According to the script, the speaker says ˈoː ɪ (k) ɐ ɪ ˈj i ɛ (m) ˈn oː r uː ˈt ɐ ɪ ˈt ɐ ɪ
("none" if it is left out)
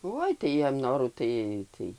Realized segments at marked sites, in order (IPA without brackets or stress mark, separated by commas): t, m